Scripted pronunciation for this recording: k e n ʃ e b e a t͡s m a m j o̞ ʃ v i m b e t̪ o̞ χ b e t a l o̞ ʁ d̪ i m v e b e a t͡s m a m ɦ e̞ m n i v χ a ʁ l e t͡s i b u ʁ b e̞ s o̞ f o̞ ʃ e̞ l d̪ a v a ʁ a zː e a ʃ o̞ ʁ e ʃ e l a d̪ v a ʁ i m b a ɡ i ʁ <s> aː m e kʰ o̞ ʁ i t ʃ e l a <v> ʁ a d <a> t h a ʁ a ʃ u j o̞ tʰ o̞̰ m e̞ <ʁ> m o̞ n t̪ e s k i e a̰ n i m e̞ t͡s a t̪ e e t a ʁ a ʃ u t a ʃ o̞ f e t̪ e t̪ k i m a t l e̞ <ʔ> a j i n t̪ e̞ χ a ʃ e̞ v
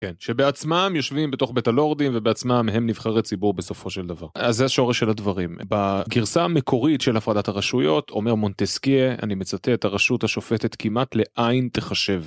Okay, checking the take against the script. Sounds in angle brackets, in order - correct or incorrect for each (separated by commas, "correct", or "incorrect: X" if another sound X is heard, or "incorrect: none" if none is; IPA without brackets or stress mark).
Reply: correct, incorrect: f, correct, correct, correct